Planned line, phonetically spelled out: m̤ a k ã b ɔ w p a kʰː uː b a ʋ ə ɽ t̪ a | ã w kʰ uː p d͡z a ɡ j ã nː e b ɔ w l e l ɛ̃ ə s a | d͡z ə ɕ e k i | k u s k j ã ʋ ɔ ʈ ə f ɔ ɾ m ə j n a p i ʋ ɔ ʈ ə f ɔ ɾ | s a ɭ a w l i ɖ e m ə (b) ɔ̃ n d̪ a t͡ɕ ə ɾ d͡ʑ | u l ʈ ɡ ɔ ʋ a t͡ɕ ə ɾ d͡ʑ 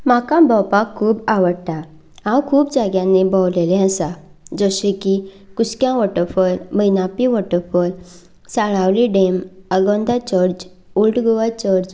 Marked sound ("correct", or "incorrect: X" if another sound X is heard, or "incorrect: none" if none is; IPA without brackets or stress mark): incorrect: ɡ